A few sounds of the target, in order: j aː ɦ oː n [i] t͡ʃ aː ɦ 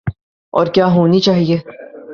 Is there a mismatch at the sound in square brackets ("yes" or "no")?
no